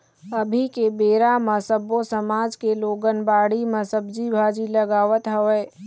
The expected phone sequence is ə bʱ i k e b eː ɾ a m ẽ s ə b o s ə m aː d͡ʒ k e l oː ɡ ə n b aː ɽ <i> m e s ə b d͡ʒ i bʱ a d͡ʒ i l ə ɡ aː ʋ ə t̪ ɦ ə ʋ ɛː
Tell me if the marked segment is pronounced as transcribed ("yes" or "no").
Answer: yes